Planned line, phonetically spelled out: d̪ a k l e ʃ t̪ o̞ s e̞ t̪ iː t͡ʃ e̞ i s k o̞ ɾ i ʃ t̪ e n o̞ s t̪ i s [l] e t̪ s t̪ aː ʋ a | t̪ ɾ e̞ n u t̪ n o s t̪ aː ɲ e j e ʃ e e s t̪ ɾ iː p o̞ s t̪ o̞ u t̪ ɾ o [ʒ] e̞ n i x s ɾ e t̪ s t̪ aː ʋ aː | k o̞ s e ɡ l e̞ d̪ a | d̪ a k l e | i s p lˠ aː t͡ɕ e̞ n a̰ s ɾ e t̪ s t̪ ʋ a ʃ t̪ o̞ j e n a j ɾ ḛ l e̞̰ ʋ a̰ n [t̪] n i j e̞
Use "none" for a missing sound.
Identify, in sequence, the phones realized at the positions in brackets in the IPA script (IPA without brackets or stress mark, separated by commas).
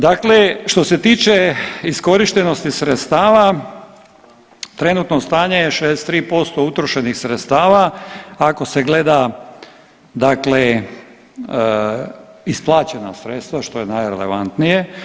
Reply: ɾ, ʃ, t̪